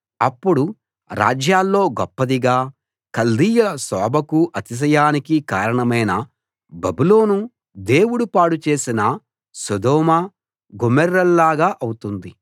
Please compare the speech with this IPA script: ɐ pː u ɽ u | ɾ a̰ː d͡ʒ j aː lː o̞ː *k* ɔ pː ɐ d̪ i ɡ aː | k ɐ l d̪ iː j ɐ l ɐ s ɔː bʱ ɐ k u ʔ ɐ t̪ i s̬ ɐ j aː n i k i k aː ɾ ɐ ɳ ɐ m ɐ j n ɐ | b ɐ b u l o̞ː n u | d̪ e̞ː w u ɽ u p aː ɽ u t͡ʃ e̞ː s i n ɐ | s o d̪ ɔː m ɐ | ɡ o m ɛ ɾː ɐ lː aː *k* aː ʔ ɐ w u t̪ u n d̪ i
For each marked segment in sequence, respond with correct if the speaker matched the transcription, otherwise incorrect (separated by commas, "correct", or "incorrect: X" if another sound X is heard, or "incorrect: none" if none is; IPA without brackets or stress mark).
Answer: incorrect: ɡ, incorrect: ɡ